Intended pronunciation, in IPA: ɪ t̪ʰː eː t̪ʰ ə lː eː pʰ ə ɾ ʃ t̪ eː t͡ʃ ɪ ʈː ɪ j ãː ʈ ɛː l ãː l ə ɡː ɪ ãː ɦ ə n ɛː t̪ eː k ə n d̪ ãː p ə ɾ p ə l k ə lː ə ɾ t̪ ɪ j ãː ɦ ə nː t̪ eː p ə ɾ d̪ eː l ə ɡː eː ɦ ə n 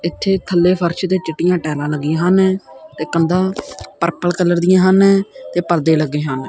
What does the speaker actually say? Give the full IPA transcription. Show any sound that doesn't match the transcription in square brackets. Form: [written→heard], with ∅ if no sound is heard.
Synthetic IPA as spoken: ɪ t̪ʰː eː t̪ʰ ə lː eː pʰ ə ɾ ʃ t̪ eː t͡ʃ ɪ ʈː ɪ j ãː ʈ ɛː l ãː l ə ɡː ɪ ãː ɦ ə n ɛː t̪ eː k ə n d̪ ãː p ə ɾ p ə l k ə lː ə ɾ [t̪→d̪] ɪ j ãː ɦ ə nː t̪ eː p ə ɾ d̪ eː l ə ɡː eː ɦ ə n